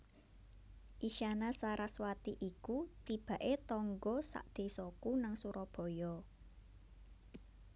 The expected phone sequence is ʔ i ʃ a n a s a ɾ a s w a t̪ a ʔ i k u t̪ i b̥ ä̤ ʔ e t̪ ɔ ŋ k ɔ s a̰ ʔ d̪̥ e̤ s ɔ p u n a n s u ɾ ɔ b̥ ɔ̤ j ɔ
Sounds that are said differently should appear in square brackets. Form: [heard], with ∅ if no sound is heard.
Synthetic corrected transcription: ʔ i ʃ a n a s a ɾ a s w a t̪ [i] ʔ i k u t̪ i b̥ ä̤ ʔ e t̪ ɔ ŋ [ɡ] ɔ s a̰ ʔ d̪̥ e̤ s ɔ [k] u n a [ŋ] s u ɾ ɔ b̥ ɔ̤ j ɔ

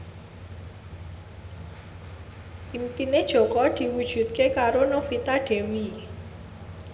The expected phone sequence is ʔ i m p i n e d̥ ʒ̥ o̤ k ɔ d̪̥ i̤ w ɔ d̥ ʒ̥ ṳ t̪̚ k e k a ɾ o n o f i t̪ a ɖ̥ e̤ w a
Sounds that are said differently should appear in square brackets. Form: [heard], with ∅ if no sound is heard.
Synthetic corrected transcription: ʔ i m p i n e d̥ ʒ̥ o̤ k ɔ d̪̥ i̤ w [u] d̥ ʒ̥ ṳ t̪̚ k e k a ɾ o n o f i t̪ a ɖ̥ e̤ w [i]

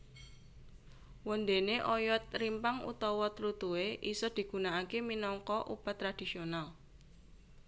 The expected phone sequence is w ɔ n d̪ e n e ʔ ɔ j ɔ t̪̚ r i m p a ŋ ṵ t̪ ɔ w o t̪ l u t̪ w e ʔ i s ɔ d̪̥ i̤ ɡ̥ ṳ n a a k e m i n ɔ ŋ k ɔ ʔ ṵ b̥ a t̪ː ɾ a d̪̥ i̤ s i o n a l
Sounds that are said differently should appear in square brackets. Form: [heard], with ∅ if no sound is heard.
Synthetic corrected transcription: w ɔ n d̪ e n e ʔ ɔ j ɔ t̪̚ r i m p a ŋ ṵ t̪ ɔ w [ɔ] t̪ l u t̪ [u] e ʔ i s ɔ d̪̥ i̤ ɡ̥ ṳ n a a k e m i n ɔ ŋ k ɔ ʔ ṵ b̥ a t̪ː ɾ a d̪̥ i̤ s i o n a l

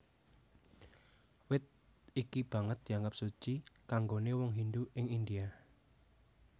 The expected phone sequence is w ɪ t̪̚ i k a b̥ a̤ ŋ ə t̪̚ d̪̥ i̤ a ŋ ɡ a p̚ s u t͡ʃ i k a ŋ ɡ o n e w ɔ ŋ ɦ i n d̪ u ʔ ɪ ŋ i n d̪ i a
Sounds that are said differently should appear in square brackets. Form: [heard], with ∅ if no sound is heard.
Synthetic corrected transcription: w ɪ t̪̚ i k [i] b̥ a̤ ŋ ə t̪̚ d̪̥ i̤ a ŋ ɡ a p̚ s u t͡ʃ i k a ŋ ɡ o n e w ɔ ŋ ɦ i n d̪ u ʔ ɪ ŋ i n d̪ i a

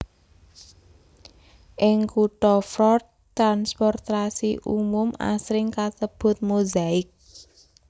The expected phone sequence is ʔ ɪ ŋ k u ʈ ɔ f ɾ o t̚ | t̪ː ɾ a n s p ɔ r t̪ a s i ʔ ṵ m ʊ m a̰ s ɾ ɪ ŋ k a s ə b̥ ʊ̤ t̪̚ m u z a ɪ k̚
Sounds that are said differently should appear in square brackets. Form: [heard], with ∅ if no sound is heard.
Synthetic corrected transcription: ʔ ɪ ŋ k u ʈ ɔ f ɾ [ɔ] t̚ | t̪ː ɾ a n s p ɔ r t̪ a s i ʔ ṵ m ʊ m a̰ s ɾ ɪ ŋ k a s ə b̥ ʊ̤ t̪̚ m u z a ɪ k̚

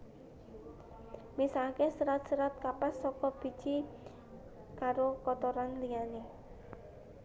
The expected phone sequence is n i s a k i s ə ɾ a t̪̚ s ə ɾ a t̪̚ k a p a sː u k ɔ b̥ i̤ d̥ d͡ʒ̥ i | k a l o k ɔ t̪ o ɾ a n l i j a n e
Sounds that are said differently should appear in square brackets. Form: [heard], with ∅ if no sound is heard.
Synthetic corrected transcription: [m] i s a k [e] s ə ɾ a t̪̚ s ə ɾ a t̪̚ k a p a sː [ɔ] k ɔ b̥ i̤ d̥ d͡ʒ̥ i | k a [ɾ] o k ɔ t̪ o ɾ a n l i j a n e

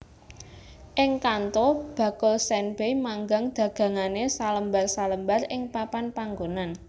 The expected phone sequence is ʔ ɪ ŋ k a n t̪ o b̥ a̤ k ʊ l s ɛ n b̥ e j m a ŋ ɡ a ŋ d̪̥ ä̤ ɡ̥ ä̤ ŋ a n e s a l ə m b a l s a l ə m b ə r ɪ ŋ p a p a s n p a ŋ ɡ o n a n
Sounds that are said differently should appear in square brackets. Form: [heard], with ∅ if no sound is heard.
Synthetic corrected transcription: ʔ ɪ ŋ k a n t̪ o b̥ a̤ k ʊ l s ɛ n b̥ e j m a ŋ ɡ a ŋ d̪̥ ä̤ ɡ̥ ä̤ ŋ a n e s a l ə m b a [r] s a l ə m b [a] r ɪ ŋ p a p a [∅] n p a ŋ ɡ o n a n

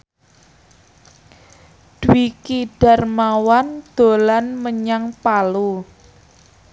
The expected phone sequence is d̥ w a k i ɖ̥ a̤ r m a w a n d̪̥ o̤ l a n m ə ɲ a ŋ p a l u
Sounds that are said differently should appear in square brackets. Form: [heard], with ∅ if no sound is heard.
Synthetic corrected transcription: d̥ w [i] k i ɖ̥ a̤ r m a w a n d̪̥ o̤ l a n m ə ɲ a ŋ p a l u

